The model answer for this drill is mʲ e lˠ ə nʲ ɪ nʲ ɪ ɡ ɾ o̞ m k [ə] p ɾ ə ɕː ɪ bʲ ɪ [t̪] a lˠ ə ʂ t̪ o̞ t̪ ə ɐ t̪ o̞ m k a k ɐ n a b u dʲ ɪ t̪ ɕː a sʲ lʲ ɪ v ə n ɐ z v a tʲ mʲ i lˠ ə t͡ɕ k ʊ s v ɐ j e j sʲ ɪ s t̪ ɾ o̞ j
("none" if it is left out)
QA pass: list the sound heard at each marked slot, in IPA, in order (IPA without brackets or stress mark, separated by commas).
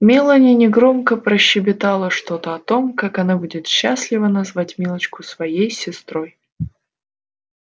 ə, t̪